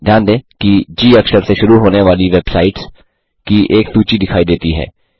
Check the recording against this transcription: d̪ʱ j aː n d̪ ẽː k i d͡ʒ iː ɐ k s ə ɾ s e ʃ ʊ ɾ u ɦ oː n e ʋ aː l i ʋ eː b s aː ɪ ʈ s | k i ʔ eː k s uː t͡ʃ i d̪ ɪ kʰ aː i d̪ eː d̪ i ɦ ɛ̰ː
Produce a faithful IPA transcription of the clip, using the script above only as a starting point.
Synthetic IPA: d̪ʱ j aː n d̪ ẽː k i d͡ʒ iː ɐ k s ə ɾ s e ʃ ʊ ɾ u ɦ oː n e ʋ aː l i ʋ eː b s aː ɪ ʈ s | k i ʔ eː k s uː t͡ʃ i d̪ ɪ kʰ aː i d̪ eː t̪ i ɦ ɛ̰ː